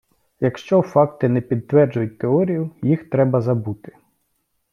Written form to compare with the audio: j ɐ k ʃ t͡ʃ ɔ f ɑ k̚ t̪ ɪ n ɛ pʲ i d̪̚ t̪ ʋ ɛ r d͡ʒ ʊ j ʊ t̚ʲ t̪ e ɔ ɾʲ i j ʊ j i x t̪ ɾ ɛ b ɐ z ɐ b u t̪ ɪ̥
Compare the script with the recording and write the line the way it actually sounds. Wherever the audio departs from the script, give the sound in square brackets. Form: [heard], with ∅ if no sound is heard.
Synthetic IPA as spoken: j ɐ k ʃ t͡ʃ ɔ f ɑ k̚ t̪ ɪ n ɛ pʲ i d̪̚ t̪ ʋ ɛ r d͡ʒ ʊ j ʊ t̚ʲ t̪ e ɔ ɾʲ i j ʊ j i x t̪ ɾ ɛ b ɐ z ɐ b u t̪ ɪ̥